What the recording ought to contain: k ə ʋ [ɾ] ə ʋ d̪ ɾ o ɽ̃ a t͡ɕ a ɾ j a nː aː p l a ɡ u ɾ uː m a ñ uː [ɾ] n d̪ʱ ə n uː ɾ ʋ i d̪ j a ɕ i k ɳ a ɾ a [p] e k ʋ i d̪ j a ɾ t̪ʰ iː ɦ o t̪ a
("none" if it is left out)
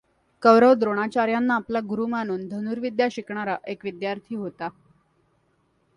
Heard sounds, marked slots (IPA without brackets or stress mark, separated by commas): ɾ, none, ʔ